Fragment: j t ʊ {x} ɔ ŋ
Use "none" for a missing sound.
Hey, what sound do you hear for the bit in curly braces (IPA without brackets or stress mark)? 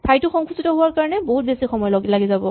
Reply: x